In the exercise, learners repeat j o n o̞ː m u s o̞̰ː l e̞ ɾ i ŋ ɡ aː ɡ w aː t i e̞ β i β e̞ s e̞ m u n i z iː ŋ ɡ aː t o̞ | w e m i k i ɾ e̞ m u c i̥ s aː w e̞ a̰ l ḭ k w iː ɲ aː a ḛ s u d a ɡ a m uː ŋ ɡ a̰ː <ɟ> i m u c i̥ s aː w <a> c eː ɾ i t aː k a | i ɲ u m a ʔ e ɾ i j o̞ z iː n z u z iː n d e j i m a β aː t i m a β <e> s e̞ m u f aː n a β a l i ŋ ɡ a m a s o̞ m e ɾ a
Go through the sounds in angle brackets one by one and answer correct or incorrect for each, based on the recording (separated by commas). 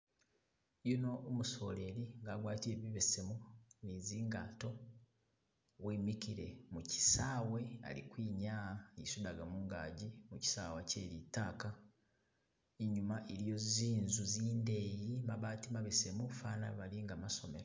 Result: correct, correct, correct